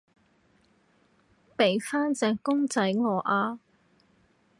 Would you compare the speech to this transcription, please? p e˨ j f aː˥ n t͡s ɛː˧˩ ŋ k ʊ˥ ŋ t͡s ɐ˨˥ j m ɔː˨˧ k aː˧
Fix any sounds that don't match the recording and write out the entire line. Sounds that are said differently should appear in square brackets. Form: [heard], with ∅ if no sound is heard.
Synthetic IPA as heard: p e˨ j f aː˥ n t͡s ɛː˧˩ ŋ k ʊ˥ ŋ t͡s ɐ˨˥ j [ŋ] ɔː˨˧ [ʔ] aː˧